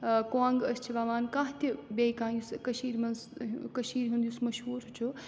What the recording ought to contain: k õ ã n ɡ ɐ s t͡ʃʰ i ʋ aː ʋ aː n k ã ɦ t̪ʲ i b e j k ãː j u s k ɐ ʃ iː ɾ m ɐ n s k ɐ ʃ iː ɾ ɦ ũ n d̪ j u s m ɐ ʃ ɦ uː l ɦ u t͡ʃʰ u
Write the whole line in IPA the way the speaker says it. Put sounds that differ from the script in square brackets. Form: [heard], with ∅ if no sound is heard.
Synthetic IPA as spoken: k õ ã [ŋ] ɡ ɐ s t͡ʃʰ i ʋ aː ʋ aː n k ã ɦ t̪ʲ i b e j k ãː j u s k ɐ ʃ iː ɾ m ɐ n s k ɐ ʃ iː ɾ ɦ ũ n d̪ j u s m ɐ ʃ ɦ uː [ɾ] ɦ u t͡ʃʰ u